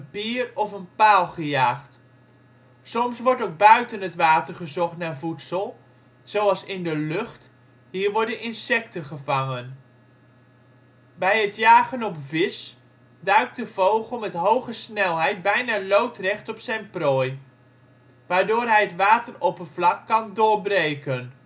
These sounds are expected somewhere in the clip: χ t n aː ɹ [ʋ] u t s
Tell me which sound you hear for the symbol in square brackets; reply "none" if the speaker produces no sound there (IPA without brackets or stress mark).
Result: v